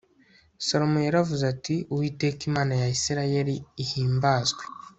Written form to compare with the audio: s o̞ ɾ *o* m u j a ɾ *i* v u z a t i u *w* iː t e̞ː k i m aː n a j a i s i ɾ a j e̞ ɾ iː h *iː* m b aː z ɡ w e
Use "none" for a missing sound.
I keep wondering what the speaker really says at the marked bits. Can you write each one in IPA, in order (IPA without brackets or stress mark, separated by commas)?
o, a, w, iː